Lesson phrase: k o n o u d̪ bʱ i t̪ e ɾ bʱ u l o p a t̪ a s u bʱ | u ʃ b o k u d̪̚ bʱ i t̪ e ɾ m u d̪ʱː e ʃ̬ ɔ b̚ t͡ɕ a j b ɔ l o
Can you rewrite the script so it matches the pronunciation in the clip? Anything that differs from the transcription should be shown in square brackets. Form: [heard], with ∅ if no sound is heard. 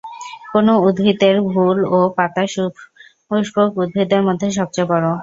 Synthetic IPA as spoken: k o n o u d̪ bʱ i t̪ e ɾ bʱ u l o p a t̪ a [ʃ] u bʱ | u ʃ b o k u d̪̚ bʱ i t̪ e ɾ m [o] d̪ʱː e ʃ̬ ɔ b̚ t͡ɕ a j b ɔ [ɾ] o